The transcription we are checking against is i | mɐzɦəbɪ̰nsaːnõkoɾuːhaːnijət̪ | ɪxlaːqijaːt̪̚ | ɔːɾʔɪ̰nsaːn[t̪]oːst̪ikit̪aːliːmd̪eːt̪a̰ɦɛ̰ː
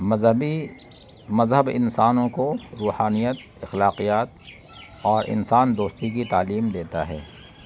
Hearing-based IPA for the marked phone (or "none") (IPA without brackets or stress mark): d̪